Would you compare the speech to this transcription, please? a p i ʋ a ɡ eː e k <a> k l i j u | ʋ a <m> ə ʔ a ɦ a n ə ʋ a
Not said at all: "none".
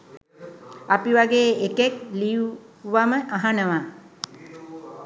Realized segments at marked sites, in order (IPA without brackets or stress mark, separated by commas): e, m